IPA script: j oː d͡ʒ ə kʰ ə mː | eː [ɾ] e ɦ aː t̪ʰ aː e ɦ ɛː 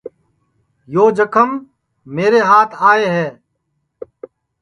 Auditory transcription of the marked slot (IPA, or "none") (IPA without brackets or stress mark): ɾ